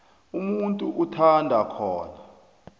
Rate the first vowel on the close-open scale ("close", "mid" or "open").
close